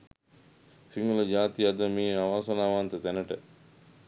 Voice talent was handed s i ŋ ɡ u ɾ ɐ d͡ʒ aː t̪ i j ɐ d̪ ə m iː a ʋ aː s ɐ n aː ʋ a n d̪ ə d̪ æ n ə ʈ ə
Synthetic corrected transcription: s i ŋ ɡ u l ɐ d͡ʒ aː t̪ i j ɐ d̪ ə m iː a ʋ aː s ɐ n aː ʋ a n t̪ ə t̪ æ n ə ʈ ə